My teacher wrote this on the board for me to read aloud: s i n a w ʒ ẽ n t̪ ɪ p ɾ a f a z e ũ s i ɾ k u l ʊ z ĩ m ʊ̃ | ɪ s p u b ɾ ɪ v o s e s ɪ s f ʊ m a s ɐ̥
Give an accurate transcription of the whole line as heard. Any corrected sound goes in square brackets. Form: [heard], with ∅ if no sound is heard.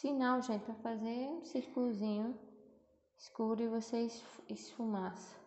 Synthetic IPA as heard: s i n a w ʒ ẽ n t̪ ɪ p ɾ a f a z e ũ s i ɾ k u l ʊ z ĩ [ɲ] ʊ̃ | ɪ s [k] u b ɾ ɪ v o s e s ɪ s f [u] m a s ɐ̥